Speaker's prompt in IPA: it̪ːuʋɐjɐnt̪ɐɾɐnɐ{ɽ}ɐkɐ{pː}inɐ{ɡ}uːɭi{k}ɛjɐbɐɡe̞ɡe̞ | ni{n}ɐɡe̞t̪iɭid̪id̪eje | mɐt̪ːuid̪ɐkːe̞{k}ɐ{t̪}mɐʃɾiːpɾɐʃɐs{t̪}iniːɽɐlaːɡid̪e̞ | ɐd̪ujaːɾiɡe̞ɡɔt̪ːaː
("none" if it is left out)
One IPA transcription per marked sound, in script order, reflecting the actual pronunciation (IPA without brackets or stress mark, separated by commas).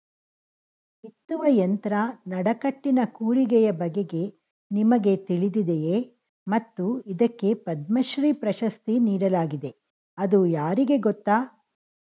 ɽ, ʈː, k, ɡ, m, p, d̪, t̪